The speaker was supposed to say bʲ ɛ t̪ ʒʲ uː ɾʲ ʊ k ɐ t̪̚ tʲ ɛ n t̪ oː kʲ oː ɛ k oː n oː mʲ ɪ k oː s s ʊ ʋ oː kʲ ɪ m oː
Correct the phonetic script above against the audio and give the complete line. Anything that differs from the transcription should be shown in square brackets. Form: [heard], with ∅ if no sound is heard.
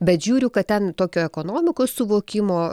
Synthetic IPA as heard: bʲ ɛ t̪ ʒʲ uː ɾʲ ʊ k ɐ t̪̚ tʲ ɛ n t̪ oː kʲ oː ɛ k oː n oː mʲ ɪ k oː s s ʊ ʋ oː kʲ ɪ m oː

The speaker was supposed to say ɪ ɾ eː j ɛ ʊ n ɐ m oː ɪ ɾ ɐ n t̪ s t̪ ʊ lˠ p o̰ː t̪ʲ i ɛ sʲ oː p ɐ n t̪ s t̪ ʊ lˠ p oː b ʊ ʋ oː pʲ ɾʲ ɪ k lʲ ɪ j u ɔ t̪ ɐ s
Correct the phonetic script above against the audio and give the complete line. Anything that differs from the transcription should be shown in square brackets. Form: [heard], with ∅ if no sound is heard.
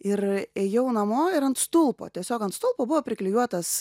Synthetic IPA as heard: ɪ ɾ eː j ɛ ʊ n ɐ m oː ɪ ɾ ɐ n t̪ s t̪ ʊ lˠ p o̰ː t̪ʲ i ɛ sʲ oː [k] ɐ n t̪ s t̪ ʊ lˠ p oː b ʊ ʋ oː pʲ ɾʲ ɪ k lʲ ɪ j u ɔ t̪ ɐ s

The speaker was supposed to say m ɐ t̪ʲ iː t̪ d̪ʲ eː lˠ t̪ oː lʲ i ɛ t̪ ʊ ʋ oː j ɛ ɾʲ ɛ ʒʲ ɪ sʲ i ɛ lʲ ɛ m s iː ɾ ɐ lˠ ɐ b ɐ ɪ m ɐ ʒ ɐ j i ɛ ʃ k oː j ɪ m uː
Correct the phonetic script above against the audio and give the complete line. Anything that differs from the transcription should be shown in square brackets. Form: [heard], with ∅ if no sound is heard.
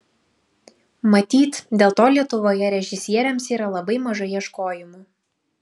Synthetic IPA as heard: m ɐ t̪ʲ iː t̪ d̪ʲ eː lˠ t̪ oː lʲ i ɛ t̪ ʊ ʋ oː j ɛ ɾʲ ɛ ʒʲ ɪ sʲ i ɛ [ɾʲ] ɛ m s iː ɾ ɐ lˠ ɐ b ɐ ɪ m ɐ ʒ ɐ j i ɛ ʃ k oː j ɪ m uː

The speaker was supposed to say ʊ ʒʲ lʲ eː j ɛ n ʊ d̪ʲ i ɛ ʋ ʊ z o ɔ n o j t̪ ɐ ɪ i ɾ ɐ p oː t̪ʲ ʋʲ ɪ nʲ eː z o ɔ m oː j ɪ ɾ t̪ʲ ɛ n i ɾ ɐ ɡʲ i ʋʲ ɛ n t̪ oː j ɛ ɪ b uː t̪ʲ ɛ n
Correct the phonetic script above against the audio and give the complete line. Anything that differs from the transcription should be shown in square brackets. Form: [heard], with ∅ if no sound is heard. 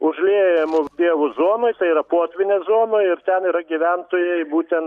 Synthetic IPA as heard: ʊ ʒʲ lʲ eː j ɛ [m] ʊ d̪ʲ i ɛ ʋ ʊ z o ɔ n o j t̪ ɐ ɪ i ɾ ɐ p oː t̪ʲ ʋʲ ɪ nʲ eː z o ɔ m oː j ɪ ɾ t̪ʲ ɛ n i ɾ ɐ ɡʲ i ʋʲ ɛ n t̪ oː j ɛ ɪ b uː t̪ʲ ɛ n

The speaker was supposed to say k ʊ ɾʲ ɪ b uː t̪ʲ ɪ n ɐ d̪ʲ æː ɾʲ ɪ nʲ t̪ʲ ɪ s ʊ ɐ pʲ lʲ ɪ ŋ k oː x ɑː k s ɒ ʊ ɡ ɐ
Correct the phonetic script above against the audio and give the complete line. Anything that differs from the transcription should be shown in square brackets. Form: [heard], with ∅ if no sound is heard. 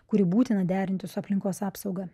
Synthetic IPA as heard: k ʊ ɾʲ ɪ b uː t̪ʲ ɪ n ɐ d̪ʲ æː ɾʲ ɪ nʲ t̪ʲ ɪ s ʊ ɐ pʲ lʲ ɪ ŋ k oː [s] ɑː [p] s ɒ ʊ ɡ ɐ

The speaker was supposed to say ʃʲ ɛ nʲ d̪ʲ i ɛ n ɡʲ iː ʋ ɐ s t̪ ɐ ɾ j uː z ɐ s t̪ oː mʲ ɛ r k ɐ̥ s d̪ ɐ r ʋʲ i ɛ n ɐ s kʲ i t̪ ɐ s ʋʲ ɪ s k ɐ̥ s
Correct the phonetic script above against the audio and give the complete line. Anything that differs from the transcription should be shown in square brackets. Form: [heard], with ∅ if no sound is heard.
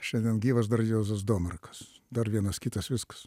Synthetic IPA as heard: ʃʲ ɛ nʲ d̪ʲ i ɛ n ɡʲ iː ʋ ɐ s [d̪] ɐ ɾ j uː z ɐ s [d̪] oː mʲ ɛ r k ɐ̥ s d̪ ɐ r ʋʲ i ɛ n ɐ s kʲ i t̪ ɐ s ʋʲ ɪ s k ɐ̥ s

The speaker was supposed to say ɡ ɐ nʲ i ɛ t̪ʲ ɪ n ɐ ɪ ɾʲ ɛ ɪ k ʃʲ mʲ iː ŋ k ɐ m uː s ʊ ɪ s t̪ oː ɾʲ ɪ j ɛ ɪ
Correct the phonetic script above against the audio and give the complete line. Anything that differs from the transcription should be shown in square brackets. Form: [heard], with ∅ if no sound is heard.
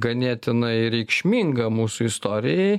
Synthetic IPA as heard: ɡ ɐ nʲ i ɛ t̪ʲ ɪ n ɐ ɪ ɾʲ ɛ ɪ k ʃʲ mʲ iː ŋ [ɡ] ɐ m uː s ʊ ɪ s t̪ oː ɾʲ ɪ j ɛ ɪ

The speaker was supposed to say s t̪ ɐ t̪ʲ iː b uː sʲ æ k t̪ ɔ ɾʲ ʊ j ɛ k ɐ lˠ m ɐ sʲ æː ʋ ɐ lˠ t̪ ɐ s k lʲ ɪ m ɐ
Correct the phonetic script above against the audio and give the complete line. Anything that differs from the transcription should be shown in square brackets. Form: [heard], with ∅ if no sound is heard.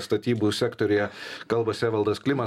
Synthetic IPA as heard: s t̪ ɐ t̪ʲ iː b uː sʲ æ k t̪ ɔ ɾʲ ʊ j ɛ k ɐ lˠ [b] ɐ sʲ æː ʋ ɐ lˠ [d̪] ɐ s k lʲ ɪ m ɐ

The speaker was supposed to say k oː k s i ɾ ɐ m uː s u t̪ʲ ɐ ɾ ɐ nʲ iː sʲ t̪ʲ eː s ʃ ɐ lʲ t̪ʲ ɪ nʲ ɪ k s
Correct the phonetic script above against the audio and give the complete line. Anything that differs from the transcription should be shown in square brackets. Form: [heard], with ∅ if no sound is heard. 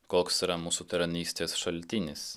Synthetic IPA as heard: k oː k s i ɾ ɐ m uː s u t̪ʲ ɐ ɾ ɐ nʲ iː sʲ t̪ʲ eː s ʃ ɐ lʲ t̪ʲ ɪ nʲ ɪ [∅] s

